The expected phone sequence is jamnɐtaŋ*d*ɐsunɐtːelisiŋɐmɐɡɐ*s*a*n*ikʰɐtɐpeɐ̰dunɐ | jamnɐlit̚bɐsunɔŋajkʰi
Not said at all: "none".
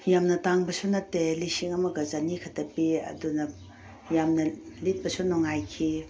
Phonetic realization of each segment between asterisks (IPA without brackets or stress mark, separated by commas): b, z, n